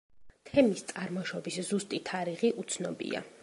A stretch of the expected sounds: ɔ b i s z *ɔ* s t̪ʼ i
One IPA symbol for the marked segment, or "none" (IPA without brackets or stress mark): u